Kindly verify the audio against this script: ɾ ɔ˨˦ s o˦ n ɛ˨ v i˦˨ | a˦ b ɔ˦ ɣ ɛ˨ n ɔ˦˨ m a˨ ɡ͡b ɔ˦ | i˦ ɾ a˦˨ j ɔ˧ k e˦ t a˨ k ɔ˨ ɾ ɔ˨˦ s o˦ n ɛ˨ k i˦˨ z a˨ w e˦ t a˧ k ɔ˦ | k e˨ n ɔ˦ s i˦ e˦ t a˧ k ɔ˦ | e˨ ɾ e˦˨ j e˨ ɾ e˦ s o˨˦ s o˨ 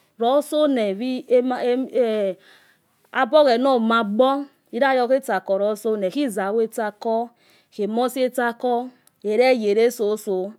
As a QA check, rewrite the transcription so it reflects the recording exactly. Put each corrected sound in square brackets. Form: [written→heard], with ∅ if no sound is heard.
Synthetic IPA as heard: ɾ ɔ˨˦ s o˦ n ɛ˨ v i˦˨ | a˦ b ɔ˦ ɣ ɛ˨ n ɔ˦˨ m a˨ ɡ͡b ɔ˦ | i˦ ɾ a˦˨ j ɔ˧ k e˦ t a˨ k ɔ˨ ɾ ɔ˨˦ s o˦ n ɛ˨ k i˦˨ z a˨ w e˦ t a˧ k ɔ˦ | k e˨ [n→m] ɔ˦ s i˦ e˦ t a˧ k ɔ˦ | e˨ ɾ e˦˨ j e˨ ɾ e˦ s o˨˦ s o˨